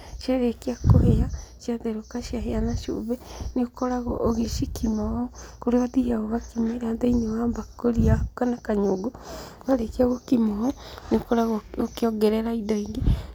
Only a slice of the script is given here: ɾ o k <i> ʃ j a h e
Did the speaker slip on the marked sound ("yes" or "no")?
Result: yes